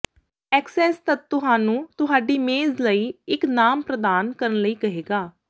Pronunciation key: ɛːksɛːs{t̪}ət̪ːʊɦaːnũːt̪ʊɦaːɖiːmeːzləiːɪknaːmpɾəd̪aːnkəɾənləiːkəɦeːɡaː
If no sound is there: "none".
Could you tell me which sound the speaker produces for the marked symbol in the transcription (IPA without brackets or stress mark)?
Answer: t̪